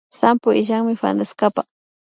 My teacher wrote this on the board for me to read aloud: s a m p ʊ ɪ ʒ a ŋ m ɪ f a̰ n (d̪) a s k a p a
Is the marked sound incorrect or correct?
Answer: correct